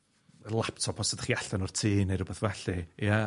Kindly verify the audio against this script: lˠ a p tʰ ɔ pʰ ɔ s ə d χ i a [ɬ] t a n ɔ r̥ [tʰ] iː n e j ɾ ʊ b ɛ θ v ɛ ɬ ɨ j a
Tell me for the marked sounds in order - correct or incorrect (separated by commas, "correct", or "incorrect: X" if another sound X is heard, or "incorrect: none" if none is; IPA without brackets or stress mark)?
correct, correct